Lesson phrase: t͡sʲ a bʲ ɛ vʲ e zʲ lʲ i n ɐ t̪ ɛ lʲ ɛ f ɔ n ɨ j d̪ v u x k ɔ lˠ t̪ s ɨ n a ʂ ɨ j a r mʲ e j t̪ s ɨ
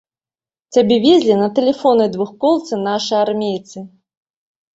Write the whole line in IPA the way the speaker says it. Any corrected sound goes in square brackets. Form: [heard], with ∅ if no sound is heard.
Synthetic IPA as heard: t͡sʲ a bʲ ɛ vʲ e zʲ lʲ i n ɐ t̪ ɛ lʲ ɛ f ɔ n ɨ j d̪ v u x k ɔ lˠ t̪ s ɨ n a ʂ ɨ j a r mʲ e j t̪ s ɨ